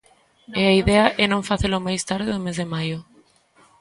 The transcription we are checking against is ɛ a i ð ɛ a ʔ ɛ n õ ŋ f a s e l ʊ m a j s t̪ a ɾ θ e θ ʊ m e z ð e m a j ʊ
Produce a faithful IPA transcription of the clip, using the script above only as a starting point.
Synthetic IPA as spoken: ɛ a i ð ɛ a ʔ ɛ n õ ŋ f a θ e l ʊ m a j s t̪ a ɾ ð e ð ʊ m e z ð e m a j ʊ

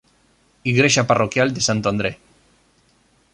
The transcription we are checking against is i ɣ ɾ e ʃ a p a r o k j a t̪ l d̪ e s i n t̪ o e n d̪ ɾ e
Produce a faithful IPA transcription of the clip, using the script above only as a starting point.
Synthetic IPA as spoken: i ɣ ɾ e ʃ a p a r o k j a l d̪ e s a n t̪ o a n d̪ ɾ e

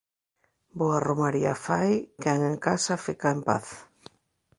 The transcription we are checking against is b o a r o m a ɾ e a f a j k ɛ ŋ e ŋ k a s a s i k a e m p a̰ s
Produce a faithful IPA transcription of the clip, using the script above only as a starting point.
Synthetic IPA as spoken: b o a r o m a ɾ i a f a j k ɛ ŋ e ŋ k a s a f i k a e m p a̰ θ

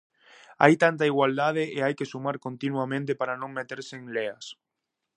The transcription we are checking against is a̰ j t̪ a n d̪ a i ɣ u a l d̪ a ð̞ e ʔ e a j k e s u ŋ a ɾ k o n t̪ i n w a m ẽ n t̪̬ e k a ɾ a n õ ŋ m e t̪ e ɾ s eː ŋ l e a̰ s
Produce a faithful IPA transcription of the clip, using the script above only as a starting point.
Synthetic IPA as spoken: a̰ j t̪ a n t̪ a i ɣ w a l d̪ a ð̞ e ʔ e a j k e s u m a ɾ k o n t̪ i n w a m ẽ n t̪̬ e p a ɾ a n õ ŋ m e t̪ e ɾ s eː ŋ l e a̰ s

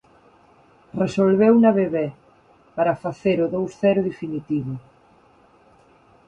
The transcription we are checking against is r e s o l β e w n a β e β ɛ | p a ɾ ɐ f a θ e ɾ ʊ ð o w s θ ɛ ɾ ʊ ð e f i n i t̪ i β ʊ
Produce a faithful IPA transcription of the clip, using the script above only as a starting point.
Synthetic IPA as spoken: r e s o l β e w n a β e β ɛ | p a ɾ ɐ f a θ e ɾ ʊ ð o w s θ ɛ ɾ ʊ ð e f i n i t̪ i β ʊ

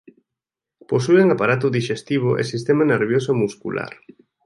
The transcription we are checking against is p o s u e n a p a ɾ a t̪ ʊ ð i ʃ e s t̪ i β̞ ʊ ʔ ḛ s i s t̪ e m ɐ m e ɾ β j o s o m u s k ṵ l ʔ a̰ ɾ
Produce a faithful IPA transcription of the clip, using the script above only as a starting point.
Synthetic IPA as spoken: p o s u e ŋ a p a ɾ a t̪ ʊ ð i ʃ e s t̪ i β̞ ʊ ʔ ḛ s i s t̪ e m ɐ n e ɾ β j o s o m u s k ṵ l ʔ a̰ ɾ

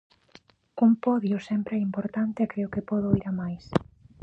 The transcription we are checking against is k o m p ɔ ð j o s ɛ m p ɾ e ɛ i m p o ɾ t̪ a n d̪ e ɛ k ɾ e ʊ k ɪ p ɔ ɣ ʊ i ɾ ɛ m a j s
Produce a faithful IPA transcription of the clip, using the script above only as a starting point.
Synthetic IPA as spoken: k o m p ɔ ð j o s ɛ m p ɾ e ɛ i m p o ɾ t̪ a n t̪ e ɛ k ɾ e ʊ k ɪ p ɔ ð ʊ i ɾ a m a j s

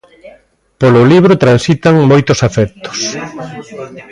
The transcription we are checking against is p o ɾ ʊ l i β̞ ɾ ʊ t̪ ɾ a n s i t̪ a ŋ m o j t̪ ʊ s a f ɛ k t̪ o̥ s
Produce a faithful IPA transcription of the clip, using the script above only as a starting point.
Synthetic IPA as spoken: p o l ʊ l i β̞ ɾ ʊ t̪ ɾ a n s i t̪ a ŋ m o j t̪ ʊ s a f ɛ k t̪ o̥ s

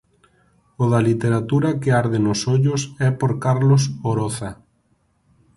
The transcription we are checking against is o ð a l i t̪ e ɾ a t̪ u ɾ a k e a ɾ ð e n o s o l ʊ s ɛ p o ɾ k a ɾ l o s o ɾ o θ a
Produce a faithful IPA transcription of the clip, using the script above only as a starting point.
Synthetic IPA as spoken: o ð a l i t̪ e ɾ a t̪ u ɾ a k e a ɾ ð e n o s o ʎ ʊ s ɛ p o ɾ k a ɾ l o s o ɾ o θ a

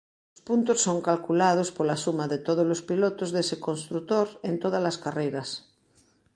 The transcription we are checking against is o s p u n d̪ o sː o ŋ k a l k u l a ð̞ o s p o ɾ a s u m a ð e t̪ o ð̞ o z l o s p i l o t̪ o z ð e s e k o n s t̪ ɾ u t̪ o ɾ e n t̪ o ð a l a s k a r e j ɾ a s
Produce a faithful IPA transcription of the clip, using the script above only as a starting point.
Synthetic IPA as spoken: o s p u n t̪ o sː o ŋ k a l k u l a ð̞ o s p o l a s u m a ð e t̪ o ð̞ o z l o s p i l o t̪ o z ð e s e k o n s t̪ ɾ u t̪ o ɾ e n t̪ o ð a l a s k a r e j ɾ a s

